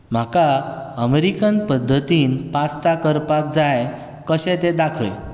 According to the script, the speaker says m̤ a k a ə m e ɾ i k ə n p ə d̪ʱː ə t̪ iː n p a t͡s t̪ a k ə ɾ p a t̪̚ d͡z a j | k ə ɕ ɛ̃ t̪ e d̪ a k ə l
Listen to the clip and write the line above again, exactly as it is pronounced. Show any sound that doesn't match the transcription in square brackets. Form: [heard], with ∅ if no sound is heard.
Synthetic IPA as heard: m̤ a k a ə m e ɾ i k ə n p ə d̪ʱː ə t̪ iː n p a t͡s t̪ a k ə ɾ p a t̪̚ d͡z a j | k ə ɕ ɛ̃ t̪ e d̪ a [kʰ] ə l